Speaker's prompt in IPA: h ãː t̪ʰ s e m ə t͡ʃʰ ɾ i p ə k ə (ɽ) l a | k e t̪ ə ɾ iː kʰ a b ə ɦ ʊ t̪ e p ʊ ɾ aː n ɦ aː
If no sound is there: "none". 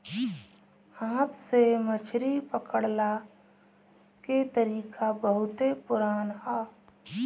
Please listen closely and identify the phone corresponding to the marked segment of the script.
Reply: ɽ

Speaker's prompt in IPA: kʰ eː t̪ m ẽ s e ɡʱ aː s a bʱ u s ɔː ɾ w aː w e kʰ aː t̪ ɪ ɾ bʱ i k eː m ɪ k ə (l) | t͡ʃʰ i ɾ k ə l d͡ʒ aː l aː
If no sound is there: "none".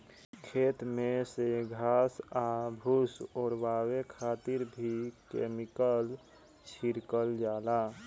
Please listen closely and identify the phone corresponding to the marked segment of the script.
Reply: l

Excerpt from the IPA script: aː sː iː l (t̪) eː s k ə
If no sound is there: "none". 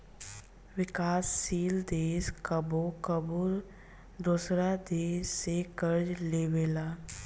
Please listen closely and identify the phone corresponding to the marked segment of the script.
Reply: d̪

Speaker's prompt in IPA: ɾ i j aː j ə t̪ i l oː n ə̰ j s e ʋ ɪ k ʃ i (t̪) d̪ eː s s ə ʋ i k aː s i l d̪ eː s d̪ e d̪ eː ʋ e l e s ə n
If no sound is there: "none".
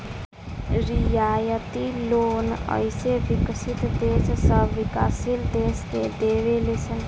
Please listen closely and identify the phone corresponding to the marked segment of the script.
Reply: t̪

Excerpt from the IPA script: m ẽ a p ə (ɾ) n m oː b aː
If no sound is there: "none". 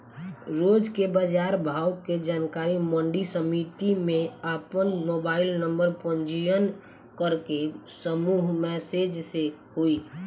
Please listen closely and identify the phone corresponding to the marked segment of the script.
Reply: none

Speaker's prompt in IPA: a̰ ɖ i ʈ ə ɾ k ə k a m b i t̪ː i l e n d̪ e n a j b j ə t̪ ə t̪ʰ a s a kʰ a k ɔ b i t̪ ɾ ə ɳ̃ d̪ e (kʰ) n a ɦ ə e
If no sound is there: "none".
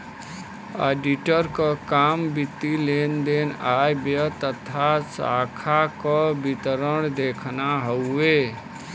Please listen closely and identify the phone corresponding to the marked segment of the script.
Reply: kʰ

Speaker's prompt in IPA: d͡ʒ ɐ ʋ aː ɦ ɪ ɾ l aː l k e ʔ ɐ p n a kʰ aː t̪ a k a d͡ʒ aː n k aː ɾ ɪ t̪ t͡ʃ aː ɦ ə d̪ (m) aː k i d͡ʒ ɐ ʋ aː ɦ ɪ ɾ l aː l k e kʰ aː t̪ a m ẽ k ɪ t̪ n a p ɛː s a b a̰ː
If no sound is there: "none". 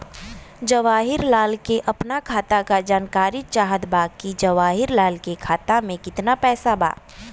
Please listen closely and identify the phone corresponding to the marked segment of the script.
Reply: b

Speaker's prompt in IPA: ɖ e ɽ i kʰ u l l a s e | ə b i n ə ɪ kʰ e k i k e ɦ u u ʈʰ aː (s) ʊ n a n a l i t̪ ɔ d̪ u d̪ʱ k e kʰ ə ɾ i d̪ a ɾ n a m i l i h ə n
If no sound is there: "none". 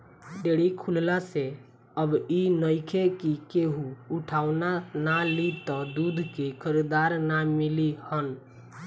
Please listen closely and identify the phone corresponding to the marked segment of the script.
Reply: none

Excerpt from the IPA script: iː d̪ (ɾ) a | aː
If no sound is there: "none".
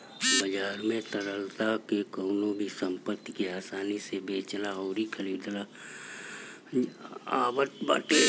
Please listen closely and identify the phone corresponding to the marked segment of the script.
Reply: l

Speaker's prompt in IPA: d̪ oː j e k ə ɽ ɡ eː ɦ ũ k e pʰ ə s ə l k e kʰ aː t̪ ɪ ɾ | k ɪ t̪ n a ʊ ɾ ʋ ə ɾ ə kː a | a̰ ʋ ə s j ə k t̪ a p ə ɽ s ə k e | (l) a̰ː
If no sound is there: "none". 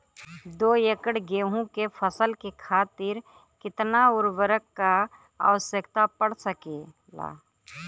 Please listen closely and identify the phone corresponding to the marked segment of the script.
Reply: l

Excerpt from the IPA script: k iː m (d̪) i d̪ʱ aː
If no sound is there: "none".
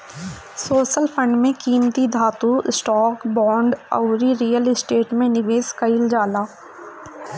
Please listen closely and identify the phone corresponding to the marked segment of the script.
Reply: t̪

